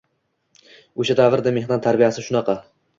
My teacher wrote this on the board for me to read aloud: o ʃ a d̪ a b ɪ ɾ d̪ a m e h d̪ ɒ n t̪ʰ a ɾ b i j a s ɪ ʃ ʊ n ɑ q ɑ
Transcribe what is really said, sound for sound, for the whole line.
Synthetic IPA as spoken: o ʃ a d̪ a v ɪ ɾ d̪ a m e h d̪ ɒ n t̪ʰ a ɾ b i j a s ɪ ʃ ʊ n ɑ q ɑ